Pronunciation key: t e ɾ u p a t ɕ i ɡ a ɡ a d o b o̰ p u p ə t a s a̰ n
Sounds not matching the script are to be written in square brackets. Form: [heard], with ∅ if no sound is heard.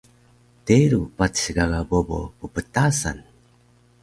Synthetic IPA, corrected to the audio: t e ɾ u p a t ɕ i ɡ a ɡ a [b] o b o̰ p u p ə t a s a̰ n